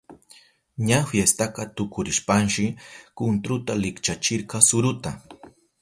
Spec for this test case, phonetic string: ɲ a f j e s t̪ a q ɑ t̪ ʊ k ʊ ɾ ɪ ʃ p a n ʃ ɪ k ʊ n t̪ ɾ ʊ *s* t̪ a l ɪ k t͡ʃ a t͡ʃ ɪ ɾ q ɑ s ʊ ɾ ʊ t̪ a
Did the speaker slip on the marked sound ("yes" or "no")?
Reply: yes